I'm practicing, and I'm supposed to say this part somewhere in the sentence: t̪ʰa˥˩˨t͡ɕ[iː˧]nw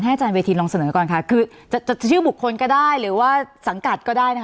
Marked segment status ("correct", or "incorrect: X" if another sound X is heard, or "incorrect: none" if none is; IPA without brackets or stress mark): incorrect: aː˧